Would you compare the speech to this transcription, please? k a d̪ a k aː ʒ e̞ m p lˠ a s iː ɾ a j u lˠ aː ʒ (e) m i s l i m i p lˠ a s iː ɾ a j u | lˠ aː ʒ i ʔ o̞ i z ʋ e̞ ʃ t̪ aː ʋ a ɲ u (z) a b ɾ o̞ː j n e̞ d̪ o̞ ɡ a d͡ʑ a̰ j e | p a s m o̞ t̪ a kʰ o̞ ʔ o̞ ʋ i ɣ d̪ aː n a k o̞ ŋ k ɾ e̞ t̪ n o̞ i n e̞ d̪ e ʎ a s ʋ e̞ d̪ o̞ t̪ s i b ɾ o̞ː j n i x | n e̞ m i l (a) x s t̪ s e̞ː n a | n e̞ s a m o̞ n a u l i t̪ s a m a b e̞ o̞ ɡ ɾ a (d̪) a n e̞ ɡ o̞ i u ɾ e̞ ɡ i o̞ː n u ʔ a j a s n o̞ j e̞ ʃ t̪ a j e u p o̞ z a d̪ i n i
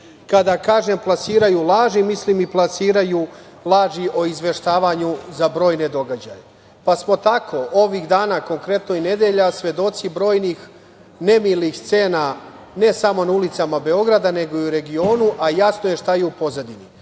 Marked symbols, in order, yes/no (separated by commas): no, yes, no, yes